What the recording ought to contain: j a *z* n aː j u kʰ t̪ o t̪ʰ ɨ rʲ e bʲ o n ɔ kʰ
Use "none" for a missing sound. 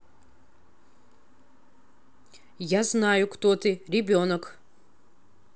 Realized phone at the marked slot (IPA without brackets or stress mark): z